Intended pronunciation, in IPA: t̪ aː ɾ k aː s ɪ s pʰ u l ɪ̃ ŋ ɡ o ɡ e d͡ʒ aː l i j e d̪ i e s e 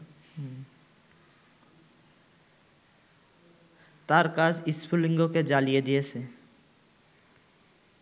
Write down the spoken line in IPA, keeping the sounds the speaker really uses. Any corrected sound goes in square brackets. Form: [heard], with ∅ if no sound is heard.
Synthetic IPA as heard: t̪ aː ɾ k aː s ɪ s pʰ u l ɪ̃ ŋ ɡ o [k] e d͡ʒ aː l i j e d̪ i e s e